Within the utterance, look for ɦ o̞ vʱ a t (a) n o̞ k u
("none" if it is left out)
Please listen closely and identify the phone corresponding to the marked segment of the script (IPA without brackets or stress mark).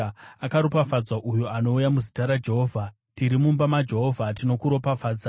i